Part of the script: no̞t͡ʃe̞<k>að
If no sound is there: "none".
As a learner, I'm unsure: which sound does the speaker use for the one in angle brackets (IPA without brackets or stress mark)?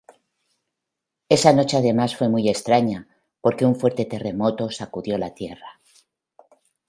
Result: none